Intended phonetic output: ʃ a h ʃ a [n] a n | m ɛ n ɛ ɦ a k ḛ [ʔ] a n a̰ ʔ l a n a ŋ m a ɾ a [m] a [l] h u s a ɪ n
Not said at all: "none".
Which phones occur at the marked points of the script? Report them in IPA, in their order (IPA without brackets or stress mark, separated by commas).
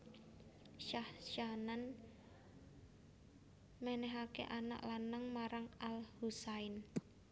n, ʔ, ŋ, l